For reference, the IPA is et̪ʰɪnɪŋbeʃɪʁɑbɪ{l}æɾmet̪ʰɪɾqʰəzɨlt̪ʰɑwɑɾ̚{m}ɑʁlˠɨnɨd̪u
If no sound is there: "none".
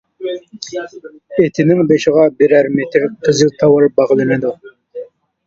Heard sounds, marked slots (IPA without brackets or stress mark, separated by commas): ɾ, b